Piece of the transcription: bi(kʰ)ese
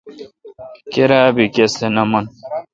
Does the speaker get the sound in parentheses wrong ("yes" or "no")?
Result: yes